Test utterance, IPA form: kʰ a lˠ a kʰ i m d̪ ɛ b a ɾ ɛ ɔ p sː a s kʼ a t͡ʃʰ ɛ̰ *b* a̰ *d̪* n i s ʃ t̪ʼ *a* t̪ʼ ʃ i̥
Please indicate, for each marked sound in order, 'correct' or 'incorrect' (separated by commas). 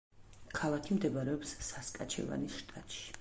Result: incorrect, incorrect, correct